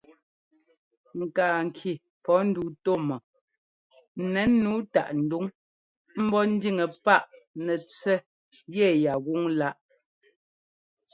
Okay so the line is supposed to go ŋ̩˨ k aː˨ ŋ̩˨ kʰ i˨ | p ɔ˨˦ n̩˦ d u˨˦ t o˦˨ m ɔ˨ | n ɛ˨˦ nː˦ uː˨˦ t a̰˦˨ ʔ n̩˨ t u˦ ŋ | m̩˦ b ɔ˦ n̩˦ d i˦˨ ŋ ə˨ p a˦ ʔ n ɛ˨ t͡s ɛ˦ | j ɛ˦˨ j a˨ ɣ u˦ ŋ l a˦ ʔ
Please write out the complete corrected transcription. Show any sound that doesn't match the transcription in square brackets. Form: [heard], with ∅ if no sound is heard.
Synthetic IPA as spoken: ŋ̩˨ k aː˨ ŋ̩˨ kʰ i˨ | p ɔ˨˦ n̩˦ d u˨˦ t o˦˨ m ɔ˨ | n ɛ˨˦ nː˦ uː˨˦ t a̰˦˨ ʔ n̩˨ [d] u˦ ŋ | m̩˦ b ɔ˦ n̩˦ d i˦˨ ŋ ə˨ p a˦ ʔ n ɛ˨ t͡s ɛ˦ | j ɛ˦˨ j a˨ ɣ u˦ ŋ l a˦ ʔ